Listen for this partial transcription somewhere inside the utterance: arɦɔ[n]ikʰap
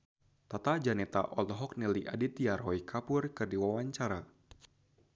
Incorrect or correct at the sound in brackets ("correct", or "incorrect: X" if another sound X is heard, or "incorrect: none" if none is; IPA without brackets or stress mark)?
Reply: incorrect: none